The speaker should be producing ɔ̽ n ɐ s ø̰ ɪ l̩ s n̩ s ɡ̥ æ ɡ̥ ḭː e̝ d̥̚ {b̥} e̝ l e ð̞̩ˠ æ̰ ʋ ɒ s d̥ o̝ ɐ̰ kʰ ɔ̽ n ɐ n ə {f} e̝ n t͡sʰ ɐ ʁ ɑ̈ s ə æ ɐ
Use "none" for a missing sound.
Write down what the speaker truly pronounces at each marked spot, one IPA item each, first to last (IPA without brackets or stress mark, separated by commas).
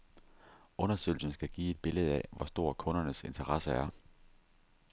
b̥, s